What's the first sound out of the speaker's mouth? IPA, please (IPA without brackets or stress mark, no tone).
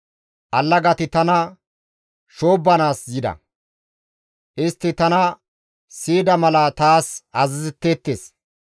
ʔ